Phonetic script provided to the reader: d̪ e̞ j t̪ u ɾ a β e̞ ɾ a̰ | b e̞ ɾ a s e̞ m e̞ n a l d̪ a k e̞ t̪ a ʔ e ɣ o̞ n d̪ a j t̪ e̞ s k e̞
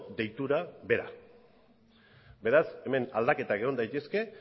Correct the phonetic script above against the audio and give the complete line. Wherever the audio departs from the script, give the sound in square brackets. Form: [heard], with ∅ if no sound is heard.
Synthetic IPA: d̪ e̞ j t̪ u ɾ a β e̞ ɾ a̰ | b e̞ ɾ a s e̞ m e̞ n a l d̪ a k e̞ t̪ a [k] e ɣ o̞ n d̪ a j t̪ e̞ s k e̞